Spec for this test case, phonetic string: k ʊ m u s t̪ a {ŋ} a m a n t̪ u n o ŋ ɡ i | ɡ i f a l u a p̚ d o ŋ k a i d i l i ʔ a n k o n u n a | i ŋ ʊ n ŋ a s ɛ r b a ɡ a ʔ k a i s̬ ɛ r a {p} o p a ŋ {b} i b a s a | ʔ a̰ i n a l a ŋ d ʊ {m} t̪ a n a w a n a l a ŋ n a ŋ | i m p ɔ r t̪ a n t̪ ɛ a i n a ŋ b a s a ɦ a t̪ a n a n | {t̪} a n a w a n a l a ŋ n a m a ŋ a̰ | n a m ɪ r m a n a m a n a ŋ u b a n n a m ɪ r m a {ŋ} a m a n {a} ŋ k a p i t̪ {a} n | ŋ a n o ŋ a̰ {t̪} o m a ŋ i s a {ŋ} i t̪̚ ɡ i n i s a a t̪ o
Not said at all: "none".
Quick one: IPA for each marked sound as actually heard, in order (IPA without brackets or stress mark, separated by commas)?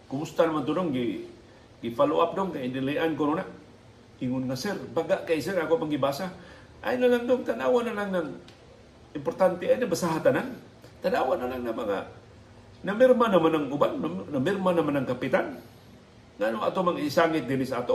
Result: n, k, ɡ, ŋ, t̪, n, a, a, t̪, ŋ